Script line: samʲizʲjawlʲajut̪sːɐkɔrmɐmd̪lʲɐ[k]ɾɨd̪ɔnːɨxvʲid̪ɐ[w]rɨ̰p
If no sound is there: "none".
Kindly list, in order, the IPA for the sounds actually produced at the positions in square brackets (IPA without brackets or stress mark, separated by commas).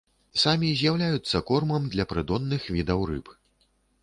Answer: p, w